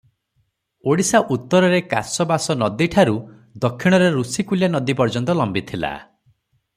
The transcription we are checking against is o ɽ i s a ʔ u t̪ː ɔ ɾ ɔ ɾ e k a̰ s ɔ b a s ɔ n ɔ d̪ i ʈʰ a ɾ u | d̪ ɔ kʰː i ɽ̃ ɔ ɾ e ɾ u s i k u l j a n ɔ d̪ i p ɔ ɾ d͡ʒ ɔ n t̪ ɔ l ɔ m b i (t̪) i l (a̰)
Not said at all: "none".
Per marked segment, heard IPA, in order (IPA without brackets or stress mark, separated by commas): t̪ʰ, a̰